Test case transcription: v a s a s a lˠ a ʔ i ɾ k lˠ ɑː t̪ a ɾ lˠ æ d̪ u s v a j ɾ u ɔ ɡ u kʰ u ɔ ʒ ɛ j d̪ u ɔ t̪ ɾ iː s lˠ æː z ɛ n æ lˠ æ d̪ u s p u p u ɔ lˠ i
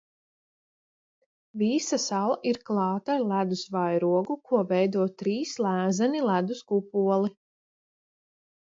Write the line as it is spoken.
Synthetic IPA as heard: v i s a s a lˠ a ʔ i ɾ k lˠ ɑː t̪ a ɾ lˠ æ d̪ u s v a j ɾ u ɔ ɡ u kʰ u ɔ v ɛ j d̪ u ɔ t̪ ɾ iː s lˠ æː z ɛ n i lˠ æ d̪ u s k u p u ɔ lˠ i